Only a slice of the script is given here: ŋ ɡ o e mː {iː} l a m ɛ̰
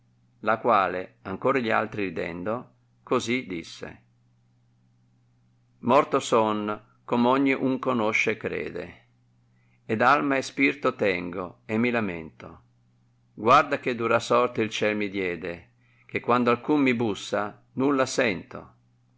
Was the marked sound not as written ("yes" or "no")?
yes